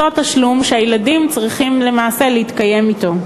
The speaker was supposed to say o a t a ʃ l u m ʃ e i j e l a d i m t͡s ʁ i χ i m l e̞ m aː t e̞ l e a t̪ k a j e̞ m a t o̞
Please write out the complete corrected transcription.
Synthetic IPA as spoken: o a t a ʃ l u m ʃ e a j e l a d i m t͡s ʁ i χ i m l e̞ m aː s e̞ l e i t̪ k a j e̞ m i t o̞